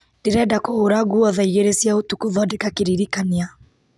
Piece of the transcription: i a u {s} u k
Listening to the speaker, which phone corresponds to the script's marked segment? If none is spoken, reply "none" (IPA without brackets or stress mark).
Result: t